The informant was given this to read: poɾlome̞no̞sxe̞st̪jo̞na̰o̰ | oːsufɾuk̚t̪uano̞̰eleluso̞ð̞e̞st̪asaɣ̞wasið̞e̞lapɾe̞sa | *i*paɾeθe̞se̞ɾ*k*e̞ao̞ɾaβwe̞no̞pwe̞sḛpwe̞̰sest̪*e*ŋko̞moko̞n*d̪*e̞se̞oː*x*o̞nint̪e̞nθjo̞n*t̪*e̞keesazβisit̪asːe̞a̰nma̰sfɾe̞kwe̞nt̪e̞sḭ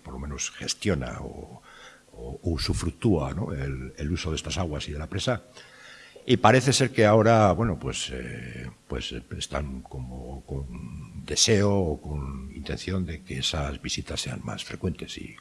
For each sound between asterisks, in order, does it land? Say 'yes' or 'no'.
yes, yes, no, yes, no, no

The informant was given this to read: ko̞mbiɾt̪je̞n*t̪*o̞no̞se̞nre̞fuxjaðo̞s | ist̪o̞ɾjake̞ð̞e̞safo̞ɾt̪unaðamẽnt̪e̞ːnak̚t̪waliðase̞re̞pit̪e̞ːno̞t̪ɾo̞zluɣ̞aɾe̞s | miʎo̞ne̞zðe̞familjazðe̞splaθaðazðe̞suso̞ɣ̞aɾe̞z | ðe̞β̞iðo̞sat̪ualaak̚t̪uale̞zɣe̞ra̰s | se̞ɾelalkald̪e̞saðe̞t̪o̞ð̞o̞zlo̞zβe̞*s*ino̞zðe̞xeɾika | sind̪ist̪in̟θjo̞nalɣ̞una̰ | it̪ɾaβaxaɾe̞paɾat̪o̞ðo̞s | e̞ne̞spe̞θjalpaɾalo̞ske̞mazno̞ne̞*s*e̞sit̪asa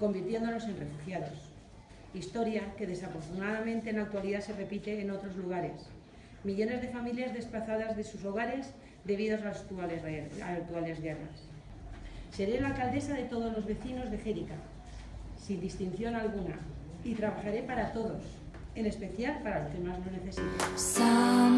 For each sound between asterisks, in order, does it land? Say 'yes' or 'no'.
no, no, no

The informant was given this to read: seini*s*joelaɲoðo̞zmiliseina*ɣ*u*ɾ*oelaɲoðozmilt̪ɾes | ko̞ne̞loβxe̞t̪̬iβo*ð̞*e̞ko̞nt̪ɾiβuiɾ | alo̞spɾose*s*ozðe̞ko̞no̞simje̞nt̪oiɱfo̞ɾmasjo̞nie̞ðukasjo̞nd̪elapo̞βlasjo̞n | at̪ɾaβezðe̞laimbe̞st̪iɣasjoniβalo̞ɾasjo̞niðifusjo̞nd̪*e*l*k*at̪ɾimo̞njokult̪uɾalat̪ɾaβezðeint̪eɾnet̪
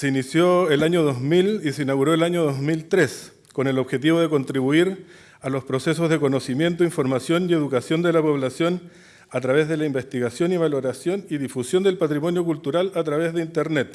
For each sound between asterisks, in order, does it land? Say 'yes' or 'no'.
yes, yes, yes, yes, yes, yes, no

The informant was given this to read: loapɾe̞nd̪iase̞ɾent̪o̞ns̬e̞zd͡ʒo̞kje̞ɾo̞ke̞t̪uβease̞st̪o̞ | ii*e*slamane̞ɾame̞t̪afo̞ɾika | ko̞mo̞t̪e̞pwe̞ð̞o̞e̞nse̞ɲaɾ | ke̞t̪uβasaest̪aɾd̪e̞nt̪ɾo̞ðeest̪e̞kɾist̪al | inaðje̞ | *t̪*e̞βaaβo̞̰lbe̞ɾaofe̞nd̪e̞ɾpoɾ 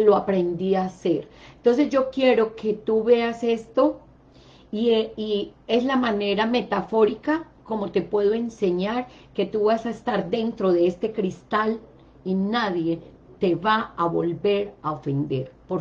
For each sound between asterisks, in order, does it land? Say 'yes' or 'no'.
yes, yes

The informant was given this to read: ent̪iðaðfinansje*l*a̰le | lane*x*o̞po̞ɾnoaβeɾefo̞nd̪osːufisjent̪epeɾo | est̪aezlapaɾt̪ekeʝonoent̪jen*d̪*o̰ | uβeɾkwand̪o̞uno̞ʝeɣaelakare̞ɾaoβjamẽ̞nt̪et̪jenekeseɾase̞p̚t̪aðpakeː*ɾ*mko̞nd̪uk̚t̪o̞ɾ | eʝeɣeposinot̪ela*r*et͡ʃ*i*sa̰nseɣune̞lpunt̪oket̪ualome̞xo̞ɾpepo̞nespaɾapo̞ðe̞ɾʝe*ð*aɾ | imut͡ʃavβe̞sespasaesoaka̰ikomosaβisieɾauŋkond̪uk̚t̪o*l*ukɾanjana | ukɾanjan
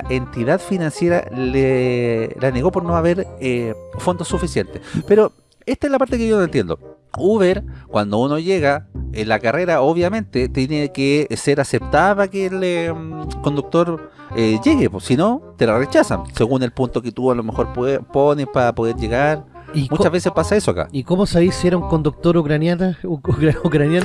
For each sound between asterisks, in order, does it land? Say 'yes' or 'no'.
no, no, yes, no, yes, no, no, no

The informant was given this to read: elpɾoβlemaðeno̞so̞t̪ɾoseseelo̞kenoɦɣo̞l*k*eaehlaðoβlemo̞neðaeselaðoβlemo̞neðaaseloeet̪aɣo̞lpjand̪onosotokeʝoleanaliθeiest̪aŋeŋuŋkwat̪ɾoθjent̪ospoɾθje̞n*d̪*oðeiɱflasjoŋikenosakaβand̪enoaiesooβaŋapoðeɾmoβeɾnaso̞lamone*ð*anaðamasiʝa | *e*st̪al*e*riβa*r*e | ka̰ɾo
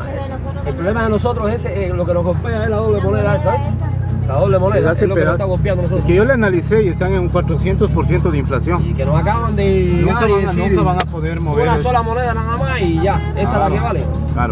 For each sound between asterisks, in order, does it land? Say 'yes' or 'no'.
no, no, yes, yes, no, no

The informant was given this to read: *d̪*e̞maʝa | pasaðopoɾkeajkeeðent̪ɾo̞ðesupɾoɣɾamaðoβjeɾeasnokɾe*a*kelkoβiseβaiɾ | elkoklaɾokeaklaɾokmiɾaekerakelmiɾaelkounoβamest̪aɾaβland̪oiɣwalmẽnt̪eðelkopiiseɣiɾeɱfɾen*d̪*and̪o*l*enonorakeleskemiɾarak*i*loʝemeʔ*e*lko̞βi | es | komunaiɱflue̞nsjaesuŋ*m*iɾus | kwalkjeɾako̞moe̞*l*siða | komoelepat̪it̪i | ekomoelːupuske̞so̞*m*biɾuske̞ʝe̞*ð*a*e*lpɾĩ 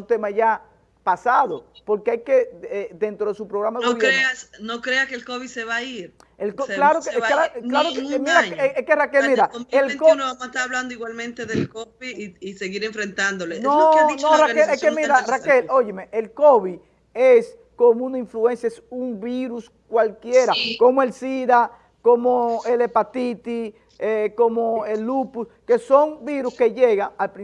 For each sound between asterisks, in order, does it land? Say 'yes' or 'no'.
no, yes, no, yes, no, yes, no, yes, no, no, no

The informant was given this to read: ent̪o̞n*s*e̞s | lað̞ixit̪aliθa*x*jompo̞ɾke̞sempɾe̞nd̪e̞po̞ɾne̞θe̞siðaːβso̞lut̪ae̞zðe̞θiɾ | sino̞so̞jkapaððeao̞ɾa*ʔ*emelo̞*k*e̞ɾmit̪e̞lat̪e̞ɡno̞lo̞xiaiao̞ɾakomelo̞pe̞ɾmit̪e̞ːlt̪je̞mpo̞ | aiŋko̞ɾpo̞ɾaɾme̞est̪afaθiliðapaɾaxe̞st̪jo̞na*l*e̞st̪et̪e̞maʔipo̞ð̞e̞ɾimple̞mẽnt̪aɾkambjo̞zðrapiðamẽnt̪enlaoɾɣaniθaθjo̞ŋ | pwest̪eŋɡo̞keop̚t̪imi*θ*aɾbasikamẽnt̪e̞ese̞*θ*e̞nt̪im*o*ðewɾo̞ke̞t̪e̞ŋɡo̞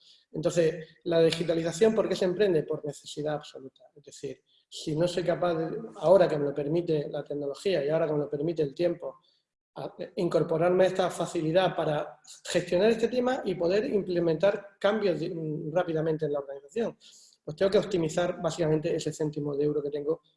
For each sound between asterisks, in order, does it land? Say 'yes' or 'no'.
no, no, no, no, no, yes, yes, yes

